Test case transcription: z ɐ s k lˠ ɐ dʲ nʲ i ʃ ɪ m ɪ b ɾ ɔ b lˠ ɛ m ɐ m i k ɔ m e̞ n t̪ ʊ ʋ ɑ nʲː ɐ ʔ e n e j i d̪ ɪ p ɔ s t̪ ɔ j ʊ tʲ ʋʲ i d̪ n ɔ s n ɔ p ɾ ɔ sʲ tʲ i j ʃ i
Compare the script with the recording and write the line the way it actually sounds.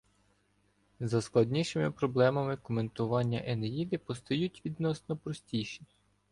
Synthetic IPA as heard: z ɐ s k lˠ ɐ dʲ nʲ i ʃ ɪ m ɪ p ɾ ɔ b lˠ ɛ m ɐ m ɪ k ɔ m e̞ n t̪ ʊ ʋ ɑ nʲː ɐ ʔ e n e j i d̪ ɪ p ɔ s t̪ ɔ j u tʲ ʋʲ i d̪ n ɔ s n ɔ p ɾ ɔ sʲ tʲ i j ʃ i